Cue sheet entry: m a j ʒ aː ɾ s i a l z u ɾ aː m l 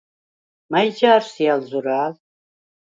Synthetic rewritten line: m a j d͡ʒ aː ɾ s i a l z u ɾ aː l